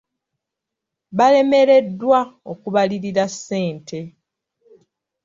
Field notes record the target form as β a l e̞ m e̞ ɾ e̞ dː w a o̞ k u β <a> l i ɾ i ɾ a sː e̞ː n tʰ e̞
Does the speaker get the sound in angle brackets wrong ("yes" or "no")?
no